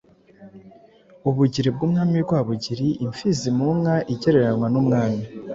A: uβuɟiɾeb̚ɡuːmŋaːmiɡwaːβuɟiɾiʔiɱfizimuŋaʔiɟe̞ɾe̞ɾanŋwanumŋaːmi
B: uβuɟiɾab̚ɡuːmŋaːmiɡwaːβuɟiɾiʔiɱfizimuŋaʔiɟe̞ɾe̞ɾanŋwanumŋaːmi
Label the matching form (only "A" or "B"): A